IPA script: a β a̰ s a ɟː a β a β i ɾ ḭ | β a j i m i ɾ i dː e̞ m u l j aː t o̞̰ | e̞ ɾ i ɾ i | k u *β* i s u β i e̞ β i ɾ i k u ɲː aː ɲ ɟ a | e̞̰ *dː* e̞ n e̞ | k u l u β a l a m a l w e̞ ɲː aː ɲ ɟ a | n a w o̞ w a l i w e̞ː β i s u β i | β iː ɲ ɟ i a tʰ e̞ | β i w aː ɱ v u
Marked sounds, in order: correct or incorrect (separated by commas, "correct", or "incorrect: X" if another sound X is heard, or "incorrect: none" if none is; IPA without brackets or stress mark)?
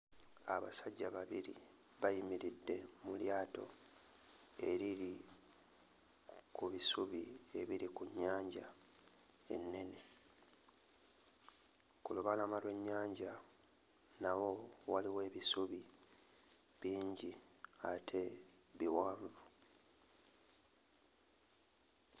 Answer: correct, incorrect: nː